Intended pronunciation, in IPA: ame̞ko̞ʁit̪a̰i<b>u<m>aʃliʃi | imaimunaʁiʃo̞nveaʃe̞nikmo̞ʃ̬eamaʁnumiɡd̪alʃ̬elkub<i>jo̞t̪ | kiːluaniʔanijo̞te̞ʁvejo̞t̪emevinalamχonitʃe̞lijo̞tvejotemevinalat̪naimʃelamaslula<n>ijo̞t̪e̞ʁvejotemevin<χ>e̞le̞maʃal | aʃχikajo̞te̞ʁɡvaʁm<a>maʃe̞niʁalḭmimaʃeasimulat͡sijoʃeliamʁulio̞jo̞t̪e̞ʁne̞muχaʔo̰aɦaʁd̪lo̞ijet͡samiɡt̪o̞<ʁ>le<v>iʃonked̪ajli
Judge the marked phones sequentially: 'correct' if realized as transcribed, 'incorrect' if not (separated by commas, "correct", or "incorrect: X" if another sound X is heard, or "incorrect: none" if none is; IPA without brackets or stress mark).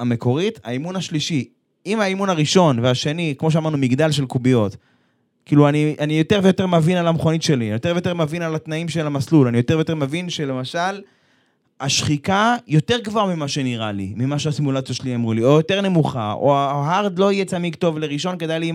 incorrect: m, incorrect: n, correct, correct, incorrect: ʃ, incorrect: i, incorrect: v, incorrect: ʁ